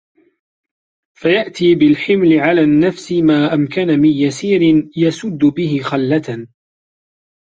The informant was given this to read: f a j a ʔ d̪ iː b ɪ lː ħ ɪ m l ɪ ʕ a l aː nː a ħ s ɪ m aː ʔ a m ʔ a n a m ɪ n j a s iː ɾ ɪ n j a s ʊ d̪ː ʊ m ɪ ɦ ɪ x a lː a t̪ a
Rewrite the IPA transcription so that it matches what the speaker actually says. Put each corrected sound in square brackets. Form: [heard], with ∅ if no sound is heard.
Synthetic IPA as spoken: f a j a ʔ [t̪] iː b ɪ [l] ħ ɪ m l ɪ ʕ a l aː nː a [f] s ɪ m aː ʔ a m [k] a n a m ɪ n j a s iː ɾ ɪ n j a s ʊ d̪ː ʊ [b] ɪ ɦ ɪ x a lː a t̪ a